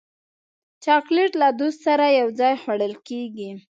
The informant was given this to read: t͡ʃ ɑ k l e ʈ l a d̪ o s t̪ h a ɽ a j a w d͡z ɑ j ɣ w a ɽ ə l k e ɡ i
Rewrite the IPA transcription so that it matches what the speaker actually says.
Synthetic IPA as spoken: t͡ʃ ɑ k l e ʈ l a d̪ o s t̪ s a ɾ a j a w d͡z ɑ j x w a ɽ ə l k e ɡ i